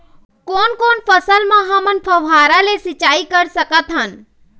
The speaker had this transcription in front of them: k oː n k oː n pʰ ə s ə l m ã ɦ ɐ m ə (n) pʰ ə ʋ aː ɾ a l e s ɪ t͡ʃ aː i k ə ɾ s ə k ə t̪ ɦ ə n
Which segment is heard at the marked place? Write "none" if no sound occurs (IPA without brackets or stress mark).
n